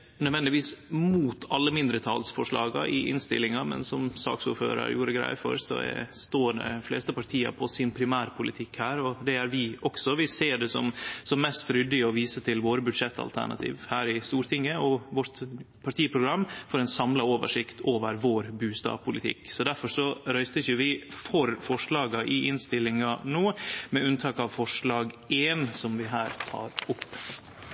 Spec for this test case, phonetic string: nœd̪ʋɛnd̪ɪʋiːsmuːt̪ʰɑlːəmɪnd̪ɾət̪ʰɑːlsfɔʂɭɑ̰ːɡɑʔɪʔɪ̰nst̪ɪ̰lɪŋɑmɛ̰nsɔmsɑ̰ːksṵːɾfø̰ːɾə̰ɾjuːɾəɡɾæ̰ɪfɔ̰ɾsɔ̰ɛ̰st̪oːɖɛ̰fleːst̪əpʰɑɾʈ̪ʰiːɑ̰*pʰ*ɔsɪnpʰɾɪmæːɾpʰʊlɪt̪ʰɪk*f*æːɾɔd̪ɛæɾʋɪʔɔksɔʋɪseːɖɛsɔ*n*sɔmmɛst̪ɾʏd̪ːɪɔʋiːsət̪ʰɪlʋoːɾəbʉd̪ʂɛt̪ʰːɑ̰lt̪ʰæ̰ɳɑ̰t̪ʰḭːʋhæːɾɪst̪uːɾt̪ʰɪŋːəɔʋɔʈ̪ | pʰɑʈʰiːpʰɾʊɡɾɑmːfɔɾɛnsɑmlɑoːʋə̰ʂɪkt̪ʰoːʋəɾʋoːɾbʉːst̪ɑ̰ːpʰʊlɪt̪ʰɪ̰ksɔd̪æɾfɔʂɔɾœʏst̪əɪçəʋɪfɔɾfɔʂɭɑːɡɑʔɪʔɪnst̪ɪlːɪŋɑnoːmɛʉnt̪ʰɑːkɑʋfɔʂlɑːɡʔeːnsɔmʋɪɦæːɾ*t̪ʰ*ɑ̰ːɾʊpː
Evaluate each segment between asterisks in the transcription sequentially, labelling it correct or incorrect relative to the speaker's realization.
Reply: correct, incorrect, incorrect, correct

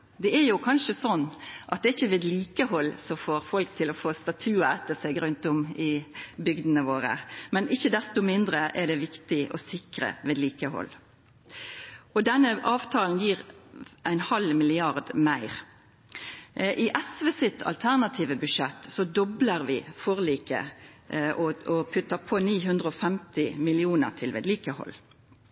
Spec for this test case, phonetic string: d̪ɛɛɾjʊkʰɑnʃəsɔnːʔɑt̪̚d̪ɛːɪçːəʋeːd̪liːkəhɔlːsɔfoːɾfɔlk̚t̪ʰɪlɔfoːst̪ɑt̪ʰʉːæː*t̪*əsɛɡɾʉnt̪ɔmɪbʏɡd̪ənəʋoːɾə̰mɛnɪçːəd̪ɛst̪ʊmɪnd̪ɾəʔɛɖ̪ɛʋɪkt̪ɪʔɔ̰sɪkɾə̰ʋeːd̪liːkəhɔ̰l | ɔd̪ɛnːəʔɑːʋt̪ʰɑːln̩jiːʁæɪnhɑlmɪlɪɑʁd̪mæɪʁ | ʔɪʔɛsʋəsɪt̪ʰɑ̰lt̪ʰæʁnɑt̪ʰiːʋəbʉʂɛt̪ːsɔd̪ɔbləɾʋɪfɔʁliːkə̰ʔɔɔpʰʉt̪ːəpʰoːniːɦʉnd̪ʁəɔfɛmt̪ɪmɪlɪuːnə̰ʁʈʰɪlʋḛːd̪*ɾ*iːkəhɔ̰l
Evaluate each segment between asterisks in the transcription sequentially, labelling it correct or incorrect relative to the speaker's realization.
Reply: correct, incorrect

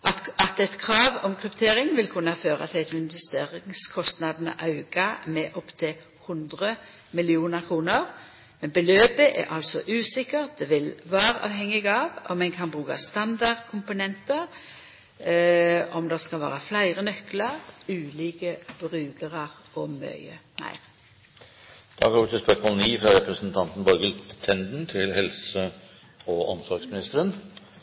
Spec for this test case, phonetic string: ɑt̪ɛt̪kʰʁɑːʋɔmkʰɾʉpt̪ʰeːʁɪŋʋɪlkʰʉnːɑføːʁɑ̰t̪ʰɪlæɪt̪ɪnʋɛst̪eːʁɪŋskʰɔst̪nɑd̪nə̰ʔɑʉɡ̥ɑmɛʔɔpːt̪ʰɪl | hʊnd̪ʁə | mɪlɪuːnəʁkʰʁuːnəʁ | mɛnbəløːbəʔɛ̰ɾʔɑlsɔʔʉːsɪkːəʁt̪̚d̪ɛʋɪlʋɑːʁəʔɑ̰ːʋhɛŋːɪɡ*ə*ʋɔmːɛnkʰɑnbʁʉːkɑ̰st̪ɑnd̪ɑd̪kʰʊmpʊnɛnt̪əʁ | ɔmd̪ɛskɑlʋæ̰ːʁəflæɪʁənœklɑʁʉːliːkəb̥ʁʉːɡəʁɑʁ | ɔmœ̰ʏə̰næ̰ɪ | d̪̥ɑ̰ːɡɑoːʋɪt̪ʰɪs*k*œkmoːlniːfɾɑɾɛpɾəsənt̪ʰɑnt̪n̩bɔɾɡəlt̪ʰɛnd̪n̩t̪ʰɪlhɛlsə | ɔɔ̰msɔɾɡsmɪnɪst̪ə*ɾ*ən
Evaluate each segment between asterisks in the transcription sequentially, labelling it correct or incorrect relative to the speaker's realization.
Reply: incorrect, incorrect, correct

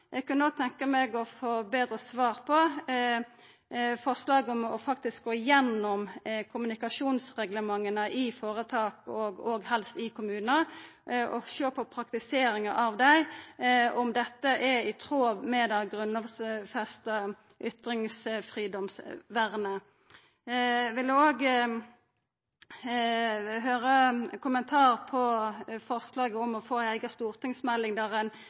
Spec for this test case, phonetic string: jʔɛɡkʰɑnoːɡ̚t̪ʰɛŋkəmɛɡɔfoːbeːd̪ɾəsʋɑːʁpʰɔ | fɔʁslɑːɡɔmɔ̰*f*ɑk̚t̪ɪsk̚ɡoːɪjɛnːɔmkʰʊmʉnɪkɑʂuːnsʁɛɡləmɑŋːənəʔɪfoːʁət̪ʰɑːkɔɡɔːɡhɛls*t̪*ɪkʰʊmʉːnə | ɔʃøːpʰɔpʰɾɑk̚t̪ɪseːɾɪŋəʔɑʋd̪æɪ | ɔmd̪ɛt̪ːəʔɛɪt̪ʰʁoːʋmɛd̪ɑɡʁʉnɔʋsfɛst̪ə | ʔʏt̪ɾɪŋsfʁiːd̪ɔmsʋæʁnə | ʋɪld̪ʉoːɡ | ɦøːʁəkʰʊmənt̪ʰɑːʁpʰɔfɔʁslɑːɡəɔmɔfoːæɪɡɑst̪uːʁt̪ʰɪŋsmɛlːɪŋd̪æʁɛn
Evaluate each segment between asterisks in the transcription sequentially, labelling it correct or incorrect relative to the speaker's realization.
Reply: correct, correct

